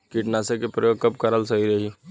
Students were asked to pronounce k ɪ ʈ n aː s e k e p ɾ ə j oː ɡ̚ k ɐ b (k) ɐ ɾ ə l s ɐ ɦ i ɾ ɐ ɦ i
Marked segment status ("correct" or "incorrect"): correct